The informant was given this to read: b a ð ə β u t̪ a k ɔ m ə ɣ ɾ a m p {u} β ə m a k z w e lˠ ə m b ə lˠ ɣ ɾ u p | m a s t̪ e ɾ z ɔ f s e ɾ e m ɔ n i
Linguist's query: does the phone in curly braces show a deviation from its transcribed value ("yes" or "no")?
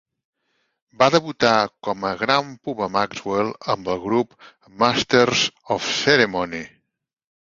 no